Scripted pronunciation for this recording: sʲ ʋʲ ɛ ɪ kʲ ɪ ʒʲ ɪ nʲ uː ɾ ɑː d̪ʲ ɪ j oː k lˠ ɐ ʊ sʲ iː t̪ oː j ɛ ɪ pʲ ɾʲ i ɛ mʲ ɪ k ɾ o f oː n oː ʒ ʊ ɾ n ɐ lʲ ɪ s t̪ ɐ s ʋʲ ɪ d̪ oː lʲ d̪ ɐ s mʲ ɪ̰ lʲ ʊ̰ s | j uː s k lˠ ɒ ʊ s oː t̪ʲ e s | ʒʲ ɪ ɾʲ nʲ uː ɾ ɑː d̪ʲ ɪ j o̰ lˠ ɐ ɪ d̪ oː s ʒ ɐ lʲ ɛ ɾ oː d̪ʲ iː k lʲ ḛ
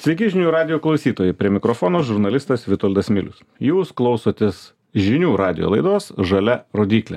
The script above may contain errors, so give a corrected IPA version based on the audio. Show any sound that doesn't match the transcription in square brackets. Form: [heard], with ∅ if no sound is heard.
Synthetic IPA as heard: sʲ ʋʲ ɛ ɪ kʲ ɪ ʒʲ ɪ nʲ uː ɾ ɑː d̪ʲ ɪ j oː k lˠ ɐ ʊ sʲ iː t̪ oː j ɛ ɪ pʲ ɾʲ i ɛ mʲ ɪ k ɾ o f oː n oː ʒ ʊ ɾ n ɐ lʲ ɪ s t̪ ɐ s ʋʲ ɪ [t̪] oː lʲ d̪ ɐ s mʲ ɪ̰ lʲ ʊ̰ s | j uː s k lˠ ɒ ʊ s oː t̪ʲ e s | ʒʲ ɪ [∅] nʲ uː ɾ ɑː d̪ʲ ɪ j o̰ lˠ ɐ ɪ d̪ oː s ʒ ɐ lʲ ɛ ɾ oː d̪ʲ iː k lʲ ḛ